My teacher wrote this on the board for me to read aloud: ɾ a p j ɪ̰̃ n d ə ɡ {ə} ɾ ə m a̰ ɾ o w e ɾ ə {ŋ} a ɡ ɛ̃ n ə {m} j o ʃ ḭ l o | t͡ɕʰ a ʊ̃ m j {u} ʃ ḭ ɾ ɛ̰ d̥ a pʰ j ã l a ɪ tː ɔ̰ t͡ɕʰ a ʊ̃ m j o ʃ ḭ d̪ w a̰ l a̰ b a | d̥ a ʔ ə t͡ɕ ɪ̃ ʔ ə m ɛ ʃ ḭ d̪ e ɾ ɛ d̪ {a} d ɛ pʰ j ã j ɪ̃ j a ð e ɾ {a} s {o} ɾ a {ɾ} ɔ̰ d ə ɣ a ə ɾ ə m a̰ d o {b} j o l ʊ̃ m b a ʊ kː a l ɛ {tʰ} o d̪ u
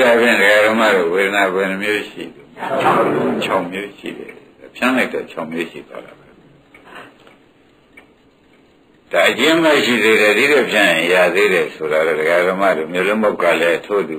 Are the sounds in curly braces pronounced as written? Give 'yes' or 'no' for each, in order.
no, no, yes, no, no, no, yes, yes, no, yes

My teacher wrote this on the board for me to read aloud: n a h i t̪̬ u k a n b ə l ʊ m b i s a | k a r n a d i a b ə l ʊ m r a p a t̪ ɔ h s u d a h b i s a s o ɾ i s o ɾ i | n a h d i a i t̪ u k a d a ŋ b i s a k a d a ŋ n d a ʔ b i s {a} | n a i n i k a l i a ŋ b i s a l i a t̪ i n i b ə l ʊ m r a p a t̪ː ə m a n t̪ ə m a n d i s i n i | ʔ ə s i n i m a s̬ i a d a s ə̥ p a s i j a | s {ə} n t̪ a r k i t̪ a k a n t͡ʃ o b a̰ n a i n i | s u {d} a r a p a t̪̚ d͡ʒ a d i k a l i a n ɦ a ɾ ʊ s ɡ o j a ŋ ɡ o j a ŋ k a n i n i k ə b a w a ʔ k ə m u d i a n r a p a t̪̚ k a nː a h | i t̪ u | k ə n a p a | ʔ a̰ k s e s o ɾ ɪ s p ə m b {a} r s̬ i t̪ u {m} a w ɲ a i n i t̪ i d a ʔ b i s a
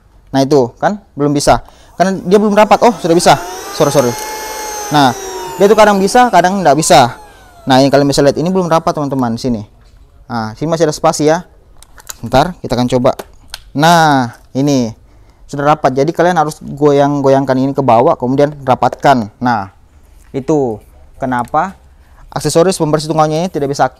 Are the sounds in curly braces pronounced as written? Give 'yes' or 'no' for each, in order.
yes, yes, yes, no, no

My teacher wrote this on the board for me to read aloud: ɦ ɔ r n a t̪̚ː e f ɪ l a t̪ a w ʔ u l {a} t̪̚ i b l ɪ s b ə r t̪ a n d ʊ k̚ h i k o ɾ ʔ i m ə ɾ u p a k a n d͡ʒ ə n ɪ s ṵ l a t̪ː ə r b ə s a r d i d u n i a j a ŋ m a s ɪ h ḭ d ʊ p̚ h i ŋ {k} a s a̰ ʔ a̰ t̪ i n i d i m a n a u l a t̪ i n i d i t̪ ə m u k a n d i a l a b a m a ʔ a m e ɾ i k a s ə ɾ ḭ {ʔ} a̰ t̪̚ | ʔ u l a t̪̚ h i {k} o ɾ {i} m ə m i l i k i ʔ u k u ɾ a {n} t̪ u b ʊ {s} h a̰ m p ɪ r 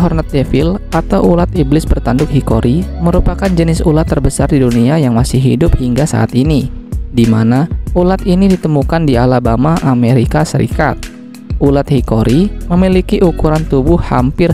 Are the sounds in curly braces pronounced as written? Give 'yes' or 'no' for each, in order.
yes, no, no, yes, yes, yes, no

